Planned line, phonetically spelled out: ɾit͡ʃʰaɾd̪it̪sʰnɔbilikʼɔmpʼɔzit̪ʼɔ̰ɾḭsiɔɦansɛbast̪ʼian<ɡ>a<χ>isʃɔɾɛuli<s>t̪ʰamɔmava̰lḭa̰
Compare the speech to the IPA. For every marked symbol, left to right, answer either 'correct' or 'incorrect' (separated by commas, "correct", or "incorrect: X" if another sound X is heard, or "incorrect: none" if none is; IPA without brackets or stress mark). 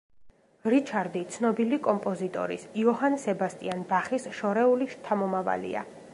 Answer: incorrect: b, correct, incorrect: ʃ